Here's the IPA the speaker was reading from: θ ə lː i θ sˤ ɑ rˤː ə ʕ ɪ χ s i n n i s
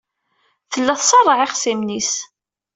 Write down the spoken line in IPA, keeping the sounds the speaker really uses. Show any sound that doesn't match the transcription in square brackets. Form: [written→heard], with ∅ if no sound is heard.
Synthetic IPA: θ ə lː [i→æ] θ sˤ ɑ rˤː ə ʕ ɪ χ s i [n→m] n i s

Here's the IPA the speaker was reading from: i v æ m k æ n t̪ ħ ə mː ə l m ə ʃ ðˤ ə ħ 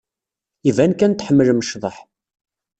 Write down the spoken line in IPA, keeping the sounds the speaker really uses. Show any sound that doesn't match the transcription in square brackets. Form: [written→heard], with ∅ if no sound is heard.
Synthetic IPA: i v æ [m→n] k æ n t̪ ħ ə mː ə l m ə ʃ ðˤ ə ħ

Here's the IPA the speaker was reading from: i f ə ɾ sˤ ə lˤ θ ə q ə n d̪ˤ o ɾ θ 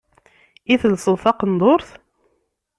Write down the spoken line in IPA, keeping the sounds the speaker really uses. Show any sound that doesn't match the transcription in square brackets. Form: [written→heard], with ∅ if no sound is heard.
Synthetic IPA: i [f→θ] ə [ɾ→l] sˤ ə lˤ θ [ə→ɑ] q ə n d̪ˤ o ɾ θ

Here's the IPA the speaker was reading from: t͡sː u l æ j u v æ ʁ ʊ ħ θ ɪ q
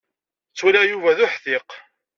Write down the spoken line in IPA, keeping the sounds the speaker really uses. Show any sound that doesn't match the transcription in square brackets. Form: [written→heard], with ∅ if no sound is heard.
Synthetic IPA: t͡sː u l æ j u v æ [ʁ→ð] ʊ ħ θ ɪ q

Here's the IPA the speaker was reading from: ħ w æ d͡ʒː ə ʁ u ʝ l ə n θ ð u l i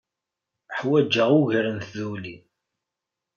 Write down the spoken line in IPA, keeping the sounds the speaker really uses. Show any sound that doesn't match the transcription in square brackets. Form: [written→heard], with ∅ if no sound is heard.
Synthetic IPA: ħ w æ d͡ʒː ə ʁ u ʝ [l→ɾ] ə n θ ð u l i

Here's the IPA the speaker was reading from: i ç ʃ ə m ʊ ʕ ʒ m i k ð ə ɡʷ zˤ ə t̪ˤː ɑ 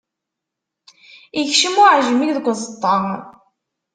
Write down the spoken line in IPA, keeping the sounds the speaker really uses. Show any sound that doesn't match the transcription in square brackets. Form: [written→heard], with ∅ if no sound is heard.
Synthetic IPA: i ç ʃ ə m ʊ ʕ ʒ m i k ð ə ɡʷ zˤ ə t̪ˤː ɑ

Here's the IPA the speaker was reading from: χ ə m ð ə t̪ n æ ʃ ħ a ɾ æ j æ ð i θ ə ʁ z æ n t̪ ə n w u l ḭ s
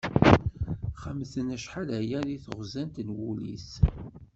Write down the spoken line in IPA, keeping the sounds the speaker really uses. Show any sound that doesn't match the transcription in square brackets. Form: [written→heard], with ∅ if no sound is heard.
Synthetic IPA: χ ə m [ð→θ] ə [t̪→∅] n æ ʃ ħ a [ɾ→l] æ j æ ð i θ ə ʁ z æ n t̪ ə n w u l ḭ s

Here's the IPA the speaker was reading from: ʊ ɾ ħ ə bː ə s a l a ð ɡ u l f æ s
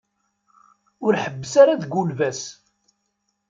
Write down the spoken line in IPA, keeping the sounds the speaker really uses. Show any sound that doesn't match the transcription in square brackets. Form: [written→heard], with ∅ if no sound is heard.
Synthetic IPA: ʊ ɾ ħ ə bː ə s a [l→ɾ] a ð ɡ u l [f→v] æ s

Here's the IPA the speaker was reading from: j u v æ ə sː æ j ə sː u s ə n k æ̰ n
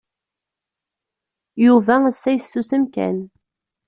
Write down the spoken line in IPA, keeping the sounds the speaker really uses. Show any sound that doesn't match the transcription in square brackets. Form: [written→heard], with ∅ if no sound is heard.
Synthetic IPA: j u v æ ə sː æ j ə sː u s ə [n→m] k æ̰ n

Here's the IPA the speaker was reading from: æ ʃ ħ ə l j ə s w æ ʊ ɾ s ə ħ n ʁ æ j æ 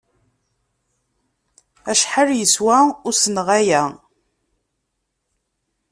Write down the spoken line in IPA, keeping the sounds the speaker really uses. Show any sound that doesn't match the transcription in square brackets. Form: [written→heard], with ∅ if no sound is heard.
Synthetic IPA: æ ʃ ħ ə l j ə s w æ ʊ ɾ s ə [ħ→∅] n ʁ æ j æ

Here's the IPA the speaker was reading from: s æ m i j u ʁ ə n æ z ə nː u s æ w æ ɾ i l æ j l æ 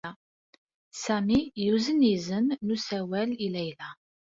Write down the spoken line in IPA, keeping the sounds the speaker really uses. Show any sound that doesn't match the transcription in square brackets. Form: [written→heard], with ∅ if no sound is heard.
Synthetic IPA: s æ m i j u [ʁ→z] ə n [æ→i] z ə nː u s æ w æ [ɾ→l] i l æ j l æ

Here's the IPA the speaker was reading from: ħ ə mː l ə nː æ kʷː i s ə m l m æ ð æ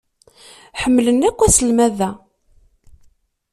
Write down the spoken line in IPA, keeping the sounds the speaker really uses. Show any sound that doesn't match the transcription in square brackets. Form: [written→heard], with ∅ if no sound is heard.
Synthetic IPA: ħ ə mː l ə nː æ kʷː [i→æ] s ə [m→∅] l m æ ð æ

